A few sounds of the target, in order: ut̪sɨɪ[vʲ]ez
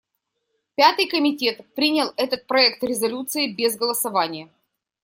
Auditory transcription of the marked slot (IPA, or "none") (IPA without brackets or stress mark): bʲ